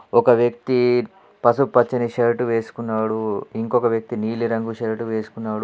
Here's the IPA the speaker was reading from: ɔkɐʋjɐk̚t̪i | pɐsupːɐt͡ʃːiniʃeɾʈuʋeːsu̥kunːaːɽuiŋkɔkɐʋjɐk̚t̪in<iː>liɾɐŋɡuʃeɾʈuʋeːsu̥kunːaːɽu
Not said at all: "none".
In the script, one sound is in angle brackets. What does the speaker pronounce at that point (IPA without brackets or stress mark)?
iː